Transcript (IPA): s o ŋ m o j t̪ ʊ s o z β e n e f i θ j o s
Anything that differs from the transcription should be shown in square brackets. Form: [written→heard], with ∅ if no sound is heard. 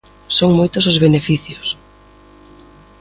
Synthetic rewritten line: s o ŋ m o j t̪ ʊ s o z β e n e f i θ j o s